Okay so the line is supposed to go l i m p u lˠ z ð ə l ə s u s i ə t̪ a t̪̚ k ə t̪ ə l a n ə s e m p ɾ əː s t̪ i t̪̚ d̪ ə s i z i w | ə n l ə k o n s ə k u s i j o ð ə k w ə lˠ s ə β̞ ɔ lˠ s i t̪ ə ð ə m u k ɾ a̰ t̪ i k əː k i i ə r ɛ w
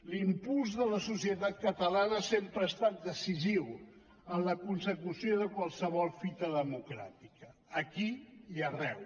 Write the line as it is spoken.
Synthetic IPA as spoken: l i m p u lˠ z ð ə l ə s u s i ə t̪ a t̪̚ k ə t̪ ə l a n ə s e m p ɾ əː s t̪ a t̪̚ d̪ ə s i z i w | ə n l ə k u n s ə k u s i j o ð ə k w a lˠ s ə β̞ ɔ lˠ f i t̪ ə ð ə m u k ɾ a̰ t̪ i k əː k i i ə r ɛ w